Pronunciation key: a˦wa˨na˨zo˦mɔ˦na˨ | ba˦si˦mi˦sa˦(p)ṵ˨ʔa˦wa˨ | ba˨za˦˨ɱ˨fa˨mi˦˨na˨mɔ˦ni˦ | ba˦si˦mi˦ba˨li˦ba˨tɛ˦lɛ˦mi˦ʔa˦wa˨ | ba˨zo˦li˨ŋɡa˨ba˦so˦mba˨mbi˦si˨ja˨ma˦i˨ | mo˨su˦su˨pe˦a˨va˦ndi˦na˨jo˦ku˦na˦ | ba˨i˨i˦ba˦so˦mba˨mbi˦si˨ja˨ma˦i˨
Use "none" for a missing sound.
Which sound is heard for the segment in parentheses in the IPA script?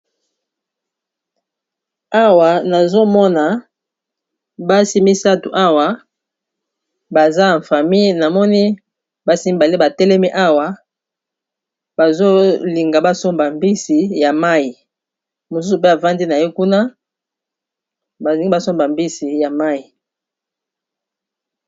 t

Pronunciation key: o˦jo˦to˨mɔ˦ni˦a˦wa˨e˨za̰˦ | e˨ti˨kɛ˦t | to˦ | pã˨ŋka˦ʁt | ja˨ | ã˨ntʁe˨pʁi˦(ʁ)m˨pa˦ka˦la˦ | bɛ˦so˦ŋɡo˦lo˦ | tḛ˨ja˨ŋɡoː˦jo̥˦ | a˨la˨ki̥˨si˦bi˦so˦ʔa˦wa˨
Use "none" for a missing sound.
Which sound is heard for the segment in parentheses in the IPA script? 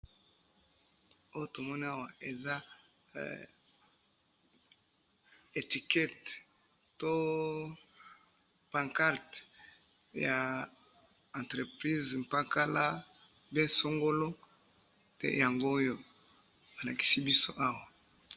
z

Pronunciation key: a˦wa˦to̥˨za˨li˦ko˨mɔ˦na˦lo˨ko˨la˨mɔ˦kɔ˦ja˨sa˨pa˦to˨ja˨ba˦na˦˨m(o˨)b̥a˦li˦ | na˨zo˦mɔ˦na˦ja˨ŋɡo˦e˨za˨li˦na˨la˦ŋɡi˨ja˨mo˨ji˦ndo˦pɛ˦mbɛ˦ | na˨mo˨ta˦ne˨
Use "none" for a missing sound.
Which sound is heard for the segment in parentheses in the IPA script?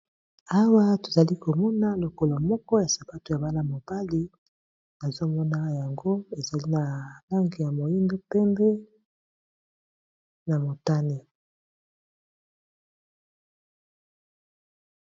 o˨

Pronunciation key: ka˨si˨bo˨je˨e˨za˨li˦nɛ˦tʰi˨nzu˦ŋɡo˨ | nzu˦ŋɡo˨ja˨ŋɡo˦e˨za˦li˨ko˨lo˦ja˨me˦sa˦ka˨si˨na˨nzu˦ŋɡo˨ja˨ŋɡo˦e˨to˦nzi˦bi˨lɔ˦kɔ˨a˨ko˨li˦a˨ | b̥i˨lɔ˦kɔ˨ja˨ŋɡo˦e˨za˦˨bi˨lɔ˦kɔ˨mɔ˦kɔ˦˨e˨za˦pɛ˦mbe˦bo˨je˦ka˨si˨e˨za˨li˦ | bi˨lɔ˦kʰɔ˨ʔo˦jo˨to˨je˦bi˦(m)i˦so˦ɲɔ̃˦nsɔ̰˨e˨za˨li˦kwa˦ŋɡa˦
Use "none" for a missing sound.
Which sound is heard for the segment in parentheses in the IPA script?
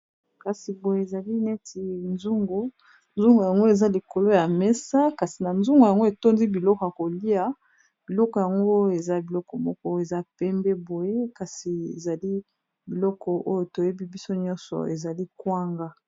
b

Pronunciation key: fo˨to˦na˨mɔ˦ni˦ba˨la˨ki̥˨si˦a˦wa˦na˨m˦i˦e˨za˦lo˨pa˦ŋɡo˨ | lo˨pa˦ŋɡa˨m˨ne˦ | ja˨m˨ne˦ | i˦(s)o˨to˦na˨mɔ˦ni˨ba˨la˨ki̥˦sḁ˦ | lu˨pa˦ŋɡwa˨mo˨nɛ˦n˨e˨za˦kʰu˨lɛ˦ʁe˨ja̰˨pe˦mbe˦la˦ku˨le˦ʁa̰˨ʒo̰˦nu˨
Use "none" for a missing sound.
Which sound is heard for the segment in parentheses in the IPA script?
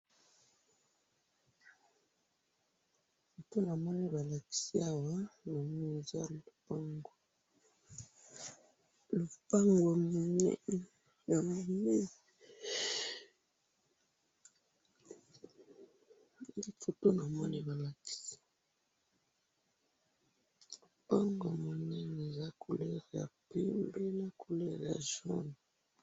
f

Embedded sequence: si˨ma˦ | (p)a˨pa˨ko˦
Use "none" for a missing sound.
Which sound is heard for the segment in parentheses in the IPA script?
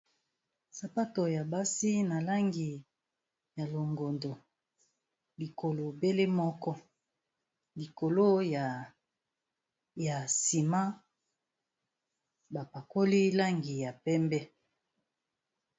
b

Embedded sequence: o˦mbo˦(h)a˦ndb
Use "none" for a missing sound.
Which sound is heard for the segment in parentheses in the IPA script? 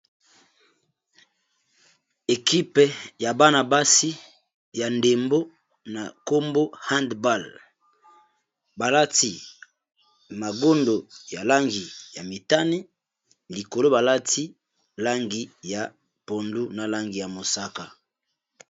h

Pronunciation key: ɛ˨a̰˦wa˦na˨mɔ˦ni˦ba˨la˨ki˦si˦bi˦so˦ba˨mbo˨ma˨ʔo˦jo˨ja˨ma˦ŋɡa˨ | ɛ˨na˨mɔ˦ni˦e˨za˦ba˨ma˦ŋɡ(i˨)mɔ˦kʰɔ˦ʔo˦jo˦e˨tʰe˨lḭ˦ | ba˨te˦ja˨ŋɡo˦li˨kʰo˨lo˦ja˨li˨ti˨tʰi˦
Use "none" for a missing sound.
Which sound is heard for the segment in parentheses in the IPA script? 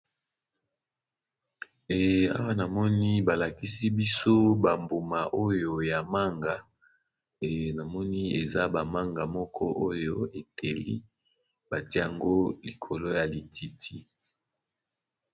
a˨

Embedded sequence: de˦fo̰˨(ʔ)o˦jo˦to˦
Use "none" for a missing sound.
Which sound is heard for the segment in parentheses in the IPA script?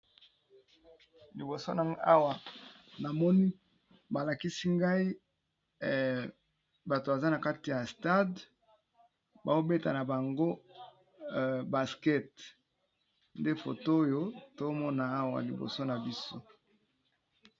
t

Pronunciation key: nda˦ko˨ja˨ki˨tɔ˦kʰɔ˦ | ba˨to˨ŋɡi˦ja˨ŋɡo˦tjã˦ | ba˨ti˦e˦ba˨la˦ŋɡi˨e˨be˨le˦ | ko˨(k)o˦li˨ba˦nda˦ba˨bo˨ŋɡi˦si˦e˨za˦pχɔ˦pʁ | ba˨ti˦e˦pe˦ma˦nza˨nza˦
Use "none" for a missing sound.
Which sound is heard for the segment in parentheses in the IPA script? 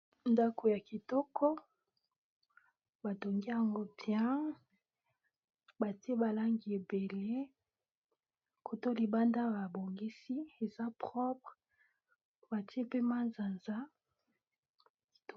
t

